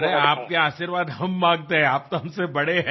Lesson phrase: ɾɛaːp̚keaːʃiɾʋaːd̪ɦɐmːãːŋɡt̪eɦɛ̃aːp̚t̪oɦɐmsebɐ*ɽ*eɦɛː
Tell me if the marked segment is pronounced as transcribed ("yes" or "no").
yes